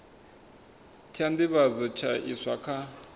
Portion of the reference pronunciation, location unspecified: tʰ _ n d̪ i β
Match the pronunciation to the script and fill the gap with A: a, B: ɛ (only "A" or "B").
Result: A